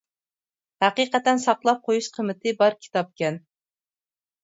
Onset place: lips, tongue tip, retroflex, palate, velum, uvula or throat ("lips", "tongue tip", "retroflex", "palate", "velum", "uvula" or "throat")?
throat